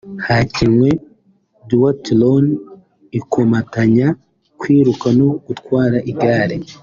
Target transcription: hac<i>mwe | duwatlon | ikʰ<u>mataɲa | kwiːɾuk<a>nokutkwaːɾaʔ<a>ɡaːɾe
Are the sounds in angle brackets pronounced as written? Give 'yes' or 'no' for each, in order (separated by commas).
yes, no, yes, no